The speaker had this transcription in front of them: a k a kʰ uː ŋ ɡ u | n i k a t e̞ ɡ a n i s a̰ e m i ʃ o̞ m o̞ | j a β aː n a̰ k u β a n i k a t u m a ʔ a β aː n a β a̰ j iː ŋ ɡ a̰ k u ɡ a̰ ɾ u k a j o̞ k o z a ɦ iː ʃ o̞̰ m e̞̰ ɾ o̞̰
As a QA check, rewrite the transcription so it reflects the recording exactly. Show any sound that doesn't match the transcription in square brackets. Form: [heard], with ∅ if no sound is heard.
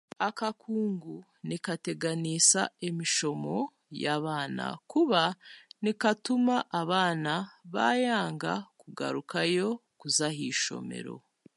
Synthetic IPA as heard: a k a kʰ uː ŋ ɡ u | n i k a t e̞ ɡ a n i s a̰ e m i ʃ o̞ m o̞ | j a β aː n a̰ k u β a n i k a t u m a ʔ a β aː n a β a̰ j [aː] ŋ ɡ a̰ k u ɡ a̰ ɾ u k a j o̞ k [u] z a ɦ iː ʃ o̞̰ m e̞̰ ɾ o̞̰